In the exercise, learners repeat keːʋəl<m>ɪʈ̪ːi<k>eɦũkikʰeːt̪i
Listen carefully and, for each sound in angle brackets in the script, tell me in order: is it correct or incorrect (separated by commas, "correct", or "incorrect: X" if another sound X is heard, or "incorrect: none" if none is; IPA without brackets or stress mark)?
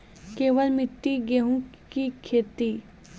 correct, incorrect: ɡ